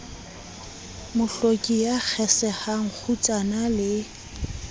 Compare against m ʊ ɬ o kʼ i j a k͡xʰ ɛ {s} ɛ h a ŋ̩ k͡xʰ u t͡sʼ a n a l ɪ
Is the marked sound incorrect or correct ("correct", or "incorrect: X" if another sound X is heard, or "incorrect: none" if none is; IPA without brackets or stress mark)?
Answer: correct